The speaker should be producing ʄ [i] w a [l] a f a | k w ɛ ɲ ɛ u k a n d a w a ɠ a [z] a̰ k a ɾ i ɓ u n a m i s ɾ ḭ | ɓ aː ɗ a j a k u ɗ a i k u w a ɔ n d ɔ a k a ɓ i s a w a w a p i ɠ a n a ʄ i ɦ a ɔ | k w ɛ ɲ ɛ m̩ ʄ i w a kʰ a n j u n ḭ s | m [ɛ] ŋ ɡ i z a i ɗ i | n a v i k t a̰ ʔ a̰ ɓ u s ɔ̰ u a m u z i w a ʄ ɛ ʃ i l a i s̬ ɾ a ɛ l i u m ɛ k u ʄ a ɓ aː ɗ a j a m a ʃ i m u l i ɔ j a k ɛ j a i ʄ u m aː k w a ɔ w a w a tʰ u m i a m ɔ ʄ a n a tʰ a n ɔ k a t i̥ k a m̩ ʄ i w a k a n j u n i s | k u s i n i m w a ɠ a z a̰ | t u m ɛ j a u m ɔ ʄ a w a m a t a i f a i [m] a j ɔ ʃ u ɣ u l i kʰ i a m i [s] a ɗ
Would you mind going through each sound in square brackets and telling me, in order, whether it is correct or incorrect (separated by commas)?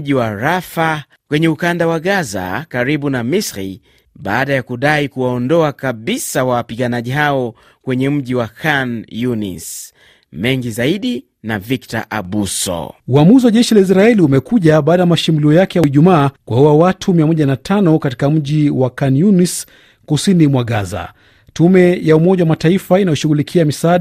correct, incorrect, correct, correct, incorrect, correct